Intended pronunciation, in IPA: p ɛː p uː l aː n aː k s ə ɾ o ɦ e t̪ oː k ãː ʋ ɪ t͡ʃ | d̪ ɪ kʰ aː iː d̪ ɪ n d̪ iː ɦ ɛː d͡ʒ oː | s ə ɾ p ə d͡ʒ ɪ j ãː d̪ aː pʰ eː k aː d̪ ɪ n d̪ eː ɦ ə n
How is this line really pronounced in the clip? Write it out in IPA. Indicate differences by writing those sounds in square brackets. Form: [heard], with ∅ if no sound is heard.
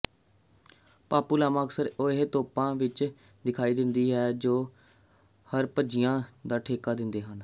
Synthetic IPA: p [aː] p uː l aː [m] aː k s ə ɾ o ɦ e t̪ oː [p] ãː ʋ ɪ t͡ʃ | d̪ ɪ kʰ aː iː d̪ ɪ n d̪ iː ɦ ɛː d͡ʒ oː | [h] ə ɾ p ə d͡ʒ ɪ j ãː d̪ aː [ʈʰ] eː k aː d̪ ɪ n d̪ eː ɦ ə n